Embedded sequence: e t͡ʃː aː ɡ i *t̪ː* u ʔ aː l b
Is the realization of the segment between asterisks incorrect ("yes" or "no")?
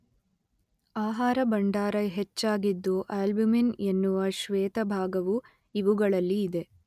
yes